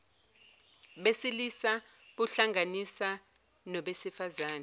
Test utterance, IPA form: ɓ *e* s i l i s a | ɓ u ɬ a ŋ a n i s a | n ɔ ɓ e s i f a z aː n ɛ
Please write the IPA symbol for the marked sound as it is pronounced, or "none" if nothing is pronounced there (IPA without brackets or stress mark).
e